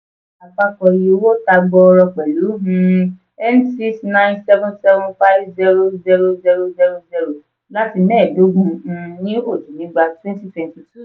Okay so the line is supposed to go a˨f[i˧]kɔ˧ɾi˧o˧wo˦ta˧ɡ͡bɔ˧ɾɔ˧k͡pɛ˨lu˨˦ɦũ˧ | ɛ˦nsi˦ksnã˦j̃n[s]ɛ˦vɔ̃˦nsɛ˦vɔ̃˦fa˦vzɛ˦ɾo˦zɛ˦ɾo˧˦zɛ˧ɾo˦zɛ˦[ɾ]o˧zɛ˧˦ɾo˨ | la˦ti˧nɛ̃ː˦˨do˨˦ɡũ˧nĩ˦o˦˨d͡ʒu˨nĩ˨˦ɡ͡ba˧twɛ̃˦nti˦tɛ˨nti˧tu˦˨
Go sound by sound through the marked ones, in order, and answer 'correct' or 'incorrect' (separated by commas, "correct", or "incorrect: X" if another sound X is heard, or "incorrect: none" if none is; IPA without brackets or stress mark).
incorrect: a˧, correct, correct